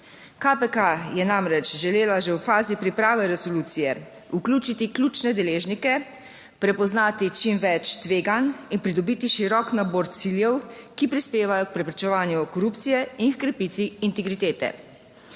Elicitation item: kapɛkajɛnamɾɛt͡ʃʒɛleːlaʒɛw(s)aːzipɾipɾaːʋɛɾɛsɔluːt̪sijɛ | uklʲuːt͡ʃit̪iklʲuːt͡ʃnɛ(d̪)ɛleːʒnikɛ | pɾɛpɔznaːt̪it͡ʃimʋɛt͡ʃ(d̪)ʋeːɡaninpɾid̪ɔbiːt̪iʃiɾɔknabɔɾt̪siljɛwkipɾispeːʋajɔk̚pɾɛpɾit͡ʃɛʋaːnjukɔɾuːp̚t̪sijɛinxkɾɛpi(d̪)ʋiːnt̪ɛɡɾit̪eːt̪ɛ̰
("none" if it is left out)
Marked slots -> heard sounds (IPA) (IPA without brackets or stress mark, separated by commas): f, d̪, t̪, t̪